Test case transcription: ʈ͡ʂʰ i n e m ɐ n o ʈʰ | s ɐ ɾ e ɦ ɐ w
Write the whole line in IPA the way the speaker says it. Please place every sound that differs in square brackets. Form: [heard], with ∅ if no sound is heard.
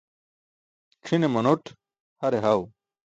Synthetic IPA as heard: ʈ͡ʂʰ i n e m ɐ n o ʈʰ | [h] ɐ ɾ e ɦ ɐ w